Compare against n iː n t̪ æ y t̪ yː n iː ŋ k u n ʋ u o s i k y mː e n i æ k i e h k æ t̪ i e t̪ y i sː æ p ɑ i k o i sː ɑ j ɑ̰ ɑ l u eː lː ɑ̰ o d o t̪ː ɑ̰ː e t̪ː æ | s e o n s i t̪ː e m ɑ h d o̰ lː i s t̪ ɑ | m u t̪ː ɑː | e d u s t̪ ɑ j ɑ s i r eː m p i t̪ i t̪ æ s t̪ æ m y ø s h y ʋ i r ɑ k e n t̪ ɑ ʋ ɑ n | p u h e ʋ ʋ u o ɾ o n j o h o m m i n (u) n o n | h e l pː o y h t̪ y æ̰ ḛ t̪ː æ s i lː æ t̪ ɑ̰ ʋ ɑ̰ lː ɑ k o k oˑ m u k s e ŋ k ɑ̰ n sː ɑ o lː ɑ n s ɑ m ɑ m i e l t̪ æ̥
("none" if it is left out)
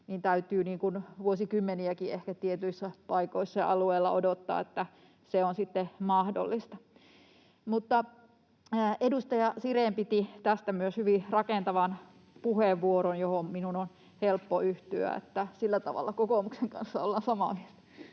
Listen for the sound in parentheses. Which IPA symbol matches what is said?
u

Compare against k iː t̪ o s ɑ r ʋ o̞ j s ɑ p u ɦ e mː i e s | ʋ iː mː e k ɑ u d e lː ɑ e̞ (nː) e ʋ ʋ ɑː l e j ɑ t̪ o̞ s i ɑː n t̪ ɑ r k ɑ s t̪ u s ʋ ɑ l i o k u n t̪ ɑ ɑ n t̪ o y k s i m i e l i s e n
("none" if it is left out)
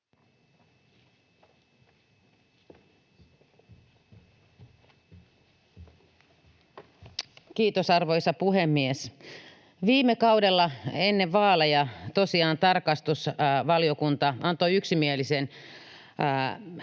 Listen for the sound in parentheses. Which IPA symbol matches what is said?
nː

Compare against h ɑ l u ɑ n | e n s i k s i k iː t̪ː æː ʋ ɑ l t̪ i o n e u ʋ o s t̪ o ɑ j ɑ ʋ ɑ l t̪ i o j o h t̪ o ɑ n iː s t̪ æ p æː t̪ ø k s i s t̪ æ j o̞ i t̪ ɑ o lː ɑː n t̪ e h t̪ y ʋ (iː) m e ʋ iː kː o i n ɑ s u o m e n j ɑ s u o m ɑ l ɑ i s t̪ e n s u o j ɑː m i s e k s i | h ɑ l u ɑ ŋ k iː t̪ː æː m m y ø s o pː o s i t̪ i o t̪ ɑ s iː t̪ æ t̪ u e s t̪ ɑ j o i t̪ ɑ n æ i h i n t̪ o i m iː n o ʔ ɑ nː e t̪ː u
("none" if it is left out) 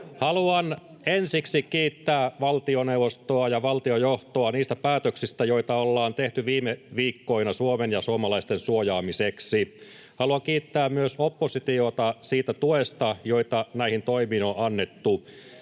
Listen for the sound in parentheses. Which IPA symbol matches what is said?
iː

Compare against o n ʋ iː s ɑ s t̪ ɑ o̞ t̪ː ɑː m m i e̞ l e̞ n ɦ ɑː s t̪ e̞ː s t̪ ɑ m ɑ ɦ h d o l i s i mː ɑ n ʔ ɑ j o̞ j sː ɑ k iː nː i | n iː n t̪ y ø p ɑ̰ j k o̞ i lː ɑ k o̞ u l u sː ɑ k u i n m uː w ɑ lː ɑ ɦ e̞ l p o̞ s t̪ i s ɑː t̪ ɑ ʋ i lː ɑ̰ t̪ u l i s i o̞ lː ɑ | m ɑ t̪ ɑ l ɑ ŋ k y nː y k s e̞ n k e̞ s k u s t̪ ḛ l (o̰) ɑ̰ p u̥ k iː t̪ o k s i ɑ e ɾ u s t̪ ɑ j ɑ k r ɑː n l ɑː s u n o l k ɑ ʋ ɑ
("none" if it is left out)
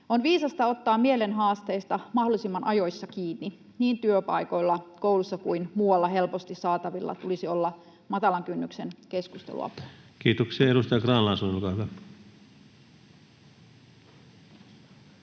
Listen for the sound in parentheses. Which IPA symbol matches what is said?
ṵ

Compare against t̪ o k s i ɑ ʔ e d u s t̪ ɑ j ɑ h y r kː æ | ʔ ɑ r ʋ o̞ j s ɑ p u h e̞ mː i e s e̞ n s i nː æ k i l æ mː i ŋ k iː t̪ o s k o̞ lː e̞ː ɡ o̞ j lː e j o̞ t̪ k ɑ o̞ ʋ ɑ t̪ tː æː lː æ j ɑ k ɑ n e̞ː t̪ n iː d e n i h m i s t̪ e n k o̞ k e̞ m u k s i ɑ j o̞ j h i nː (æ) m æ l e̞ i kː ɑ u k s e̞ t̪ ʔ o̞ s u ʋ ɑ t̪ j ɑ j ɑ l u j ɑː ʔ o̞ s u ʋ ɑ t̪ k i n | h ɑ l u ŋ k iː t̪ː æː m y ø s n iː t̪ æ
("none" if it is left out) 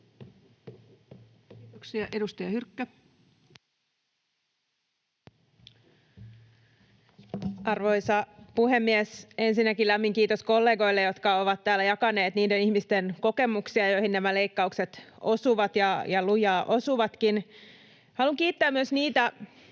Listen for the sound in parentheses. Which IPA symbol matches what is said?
æ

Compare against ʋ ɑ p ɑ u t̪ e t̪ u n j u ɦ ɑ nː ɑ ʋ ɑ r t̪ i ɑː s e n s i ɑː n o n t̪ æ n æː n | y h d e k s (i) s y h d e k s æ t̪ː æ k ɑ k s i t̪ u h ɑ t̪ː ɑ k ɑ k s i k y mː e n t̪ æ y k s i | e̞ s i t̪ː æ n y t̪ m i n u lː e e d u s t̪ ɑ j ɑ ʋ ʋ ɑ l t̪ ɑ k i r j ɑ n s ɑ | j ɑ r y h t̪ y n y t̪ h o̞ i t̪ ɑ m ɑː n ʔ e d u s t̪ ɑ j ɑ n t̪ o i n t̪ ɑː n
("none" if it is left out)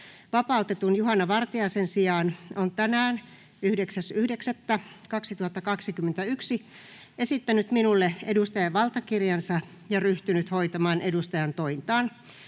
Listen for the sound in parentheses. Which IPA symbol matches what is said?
æ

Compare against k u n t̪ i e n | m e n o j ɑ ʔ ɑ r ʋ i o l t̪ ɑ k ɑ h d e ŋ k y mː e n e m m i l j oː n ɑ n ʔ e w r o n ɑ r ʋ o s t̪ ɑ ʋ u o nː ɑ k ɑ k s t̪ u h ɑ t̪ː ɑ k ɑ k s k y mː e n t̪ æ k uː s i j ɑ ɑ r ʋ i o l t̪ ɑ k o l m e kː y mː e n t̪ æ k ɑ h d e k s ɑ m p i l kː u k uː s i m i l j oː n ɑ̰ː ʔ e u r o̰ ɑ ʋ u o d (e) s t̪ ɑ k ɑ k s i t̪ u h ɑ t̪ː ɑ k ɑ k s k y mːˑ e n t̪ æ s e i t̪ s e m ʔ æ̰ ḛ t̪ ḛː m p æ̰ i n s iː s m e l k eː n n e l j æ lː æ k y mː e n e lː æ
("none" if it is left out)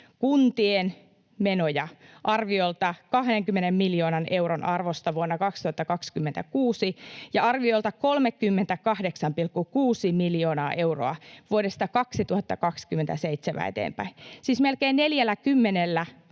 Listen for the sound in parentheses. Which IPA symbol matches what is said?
e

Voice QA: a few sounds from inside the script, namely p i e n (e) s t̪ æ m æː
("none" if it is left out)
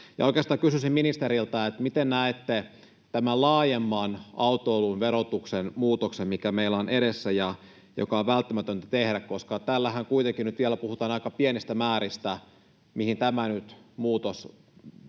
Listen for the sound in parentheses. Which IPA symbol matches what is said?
i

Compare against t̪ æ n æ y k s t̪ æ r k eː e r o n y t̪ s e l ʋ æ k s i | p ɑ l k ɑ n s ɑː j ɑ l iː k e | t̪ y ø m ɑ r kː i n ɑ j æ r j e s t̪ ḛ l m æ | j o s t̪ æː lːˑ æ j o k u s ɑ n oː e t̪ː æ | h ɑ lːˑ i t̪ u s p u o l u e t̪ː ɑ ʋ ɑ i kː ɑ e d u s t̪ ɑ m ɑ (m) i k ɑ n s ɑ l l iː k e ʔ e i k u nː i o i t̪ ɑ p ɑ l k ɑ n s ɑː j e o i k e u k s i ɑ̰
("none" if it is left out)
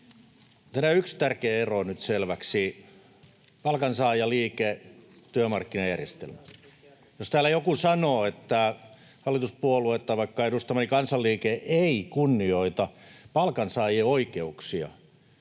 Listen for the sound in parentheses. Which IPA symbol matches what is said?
n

